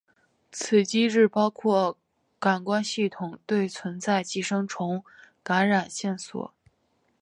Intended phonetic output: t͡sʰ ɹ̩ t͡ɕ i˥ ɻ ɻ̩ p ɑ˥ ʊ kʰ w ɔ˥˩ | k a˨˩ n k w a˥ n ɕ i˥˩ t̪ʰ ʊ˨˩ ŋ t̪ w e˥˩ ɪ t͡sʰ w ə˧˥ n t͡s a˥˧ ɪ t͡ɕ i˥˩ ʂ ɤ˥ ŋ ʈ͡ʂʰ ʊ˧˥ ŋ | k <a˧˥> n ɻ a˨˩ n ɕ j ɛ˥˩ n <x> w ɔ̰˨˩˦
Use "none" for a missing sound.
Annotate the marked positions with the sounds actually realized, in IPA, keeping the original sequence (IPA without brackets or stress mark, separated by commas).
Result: a˧˥, s